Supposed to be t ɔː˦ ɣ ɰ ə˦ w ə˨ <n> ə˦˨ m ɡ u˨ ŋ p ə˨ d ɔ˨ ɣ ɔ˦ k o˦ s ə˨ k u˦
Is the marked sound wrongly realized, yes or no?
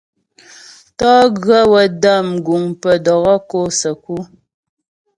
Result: yes